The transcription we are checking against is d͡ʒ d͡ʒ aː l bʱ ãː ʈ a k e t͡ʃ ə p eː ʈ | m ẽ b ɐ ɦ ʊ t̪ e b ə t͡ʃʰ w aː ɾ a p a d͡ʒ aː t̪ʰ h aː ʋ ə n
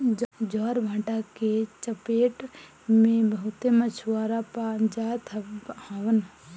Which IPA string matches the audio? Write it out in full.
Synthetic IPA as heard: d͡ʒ d͡ʒ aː ɾ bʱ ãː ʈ a k e t͡ʃ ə p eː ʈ | m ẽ b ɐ ɦ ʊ t̪ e m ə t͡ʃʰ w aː ɾ a p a d͡ʒ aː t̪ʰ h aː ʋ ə n